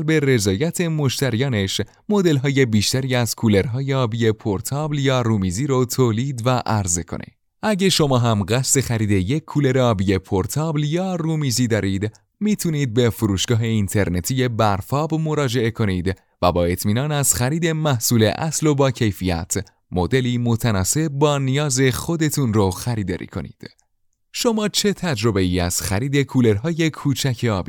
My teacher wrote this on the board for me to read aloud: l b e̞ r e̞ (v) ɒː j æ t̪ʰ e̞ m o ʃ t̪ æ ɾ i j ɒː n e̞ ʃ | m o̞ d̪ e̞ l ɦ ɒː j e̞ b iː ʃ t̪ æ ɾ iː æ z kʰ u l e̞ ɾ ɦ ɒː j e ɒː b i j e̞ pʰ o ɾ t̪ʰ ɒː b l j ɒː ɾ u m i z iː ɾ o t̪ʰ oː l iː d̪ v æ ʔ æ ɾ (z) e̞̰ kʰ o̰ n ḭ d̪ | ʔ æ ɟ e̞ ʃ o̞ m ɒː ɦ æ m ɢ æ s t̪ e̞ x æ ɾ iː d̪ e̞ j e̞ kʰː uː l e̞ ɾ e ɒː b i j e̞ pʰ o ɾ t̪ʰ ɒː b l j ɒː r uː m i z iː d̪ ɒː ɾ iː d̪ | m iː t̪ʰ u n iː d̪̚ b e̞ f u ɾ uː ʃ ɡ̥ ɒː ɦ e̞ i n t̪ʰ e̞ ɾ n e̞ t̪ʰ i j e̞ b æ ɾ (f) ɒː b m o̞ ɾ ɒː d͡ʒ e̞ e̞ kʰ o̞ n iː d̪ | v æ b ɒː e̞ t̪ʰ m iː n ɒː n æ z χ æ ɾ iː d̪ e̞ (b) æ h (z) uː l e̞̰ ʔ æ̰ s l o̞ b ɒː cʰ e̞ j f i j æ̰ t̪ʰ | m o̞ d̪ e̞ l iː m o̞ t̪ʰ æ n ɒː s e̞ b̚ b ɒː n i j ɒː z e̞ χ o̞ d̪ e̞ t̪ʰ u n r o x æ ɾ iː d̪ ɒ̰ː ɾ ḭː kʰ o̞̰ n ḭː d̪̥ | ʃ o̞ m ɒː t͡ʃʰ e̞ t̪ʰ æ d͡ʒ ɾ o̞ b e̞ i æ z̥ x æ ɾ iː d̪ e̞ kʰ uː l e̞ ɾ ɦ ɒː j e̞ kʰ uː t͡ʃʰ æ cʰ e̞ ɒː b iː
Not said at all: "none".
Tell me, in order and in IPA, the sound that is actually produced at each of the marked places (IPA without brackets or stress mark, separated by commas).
z, z, f, m, s